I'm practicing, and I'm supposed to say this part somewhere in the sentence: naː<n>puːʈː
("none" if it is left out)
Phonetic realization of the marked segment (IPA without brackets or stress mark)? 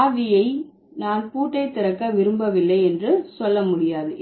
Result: n